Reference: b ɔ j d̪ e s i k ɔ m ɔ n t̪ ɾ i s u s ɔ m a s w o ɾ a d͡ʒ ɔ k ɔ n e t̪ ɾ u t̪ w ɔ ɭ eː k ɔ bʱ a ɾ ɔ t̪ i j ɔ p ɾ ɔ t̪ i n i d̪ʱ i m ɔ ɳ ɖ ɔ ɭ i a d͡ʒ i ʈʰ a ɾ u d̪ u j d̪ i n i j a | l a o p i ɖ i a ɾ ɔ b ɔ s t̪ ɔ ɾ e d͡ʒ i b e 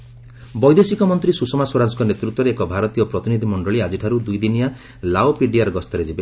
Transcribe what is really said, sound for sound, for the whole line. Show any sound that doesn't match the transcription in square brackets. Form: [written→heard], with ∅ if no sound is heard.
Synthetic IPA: b ɔ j d̪ e s i k ɔ m ɔ n t̪ ɾ i s u s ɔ m a s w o ɾ a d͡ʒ ɔ k ɔ n e t̪ ɾ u t̪ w ɔ [ɭ→ɾ] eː k ɔ bʱ a ɾ ɔ t̪ i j ɔ p ɾ ɔ t̪ i n i d̪ʱ i m ɔ ɳ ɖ ɔ ɭ i a d͡ʒ i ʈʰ a ɾ u d̪ u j d̪ i n i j a | l a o p i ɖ i a ɾ ɔ [b→ɡ] ɔ s t̪ ɔ ɾ e d͡ʒ i b e